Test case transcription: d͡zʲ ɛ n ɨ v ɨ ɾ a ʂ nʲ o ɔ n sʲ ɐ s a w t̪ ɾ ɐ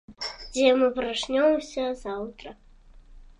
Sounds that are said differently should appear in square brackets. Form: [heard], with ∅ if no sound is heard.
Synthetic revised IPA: d͡zʲ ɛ [m] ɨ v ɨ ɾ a ʂ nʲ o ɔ [m] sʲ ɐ [z] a w t̪ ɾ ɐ